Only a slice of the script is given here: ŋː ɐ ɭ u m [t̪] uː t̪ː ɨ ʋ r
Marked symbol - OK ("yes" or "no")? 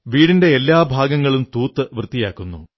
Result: yes